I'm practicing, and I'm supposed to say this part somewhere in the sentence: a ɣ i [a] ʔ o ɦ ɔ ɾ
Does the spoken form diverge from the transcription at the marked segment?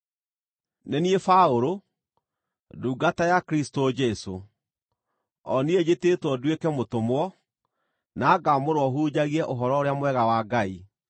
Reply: yes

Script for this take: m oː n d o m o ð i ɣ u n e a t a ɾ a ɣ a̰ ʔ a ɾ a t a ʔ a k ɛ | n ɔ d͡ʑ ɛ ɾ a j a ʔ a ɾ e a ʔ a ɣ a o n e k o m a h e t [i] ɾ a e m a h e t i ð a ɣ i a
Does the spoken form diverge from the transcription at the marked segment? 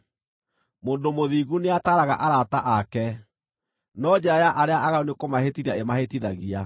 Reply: no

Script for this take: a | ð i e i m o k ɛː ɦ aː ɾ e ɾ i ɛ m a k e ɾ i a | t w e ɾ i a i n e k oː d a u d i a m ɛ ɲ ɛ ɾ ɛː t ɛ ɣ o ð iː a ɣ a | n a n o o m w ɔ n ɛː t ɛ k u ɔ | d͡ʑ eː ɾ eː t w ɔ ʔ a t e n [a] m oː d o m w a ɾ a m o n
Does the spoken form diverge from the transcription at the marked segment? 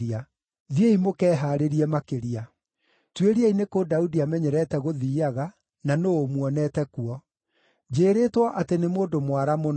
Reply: yes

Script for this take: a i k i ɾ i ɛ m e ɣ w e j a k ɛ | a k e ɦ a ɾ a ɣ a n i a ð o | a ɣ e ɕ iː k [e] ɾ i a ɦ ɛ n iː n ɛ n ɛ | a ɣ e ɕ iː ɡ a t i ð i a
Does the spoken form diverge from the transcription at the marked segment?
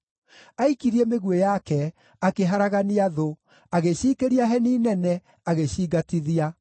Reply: no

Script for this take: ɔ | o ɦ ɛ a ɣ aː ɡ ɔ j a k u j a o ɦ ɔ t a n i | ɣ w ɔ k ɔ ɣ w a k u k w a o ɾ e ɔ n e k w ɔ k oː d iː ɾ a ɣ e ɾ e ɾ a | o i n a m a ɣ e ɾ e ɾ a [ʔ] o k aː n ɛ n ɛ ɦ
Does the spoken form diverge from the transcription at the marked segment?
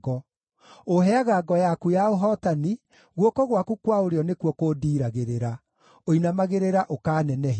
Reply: no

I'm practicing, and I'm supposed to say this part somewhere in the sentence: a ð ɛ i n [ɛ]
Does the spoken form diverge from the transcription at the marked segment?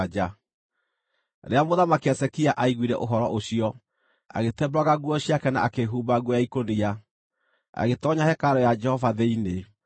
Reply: yes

